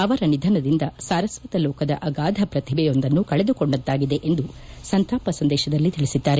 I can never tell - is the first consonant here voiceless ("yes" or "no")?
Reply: no